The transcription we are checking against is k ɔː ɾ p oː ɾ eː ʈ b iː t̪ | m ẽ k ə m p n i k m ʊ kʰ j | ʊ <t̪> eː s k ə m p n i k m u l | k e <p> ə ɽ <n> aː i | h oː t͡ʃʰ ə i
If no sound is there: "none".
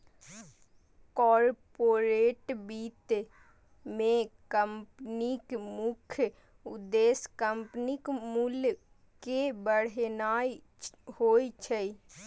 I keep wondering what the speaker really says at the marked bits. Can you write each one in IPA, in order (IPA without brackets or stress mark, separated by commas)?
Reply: d̪, b, n